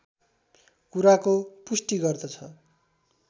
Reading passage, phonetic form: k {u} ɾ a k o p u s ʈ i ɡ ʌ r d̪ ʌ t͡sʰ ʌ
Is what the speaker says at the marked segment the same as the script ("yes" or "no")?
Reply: yes